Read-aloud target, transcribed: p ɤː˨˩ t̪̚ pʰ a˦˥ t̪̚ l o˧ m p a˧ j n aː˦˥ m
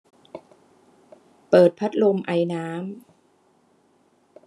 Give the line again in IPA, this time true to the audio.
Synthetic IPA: p ɤː˨˩ t̪̚ pʰ a˦˥ t̪̚ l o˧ m ʔ a˧ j n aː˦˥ m